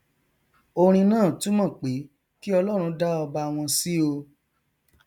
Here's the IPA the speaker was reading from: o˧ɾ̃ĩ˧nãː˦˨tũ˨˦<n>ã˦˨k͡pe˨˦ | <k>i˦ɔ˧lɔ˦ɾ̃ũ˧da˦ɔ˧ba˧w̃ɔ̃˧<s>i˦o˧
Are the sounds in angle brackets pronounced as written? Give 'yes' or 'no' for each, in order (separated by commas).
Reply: no, yes, yes